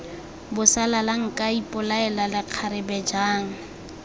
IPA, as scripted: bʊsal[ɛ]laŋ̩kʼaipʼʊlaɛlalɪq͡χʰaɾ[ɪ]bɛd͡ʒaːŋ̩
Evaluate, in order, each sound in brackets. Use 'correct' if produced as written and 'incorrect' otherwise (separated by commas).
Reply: incorrect, correct